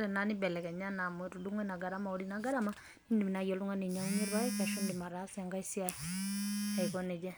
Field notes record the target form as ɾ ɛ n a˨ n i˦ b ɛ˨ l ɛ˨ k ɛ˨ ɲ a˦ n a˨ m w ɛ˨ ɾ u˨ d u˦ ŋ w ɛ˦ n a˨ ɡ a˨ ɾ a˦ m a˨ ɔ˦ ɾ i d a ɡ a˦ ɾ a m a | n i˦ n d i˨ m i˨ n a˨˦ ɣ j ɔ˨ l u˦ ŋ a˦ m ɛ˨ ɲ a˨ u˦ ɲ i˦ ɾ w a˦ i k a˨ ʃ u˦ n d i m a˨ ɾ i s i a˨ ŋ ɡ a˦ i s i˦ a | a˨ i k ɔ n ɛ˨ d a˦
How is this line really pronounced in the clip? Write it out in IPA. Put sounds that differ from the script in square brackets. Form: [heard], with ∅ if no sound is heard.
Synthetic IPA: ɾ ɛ n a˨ n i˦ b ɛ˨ l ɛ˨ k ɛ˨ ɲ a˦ n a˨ m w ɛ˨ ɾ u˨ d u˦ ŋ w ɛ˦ n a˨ ɡ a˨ ɾ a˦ m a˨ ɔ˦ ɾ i [n] a ɡ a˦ ɾ a m a | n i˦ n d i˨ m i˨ n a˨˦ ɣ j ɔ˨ l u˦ ŋ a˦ [n] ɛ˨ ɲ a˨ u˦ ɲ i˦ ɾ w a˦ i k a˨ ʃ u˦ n d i m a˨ ɾ [a] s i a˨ ŋ ɡ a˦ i s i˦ a | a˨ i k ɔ n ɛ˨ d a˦